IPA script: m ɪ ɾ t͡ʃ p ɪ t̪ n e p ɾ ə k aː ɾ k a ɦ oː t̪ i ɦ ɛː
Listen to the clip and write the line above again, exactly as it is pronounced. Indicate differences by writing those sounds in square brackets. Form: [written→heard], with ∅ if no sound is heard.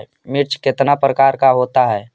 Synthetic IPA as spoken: m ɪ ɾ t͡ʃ [p→k] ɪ t̪ n [e→a] p ɾ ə k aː ɾ k a ɦ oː t̪ [i→a] ɦ ɛː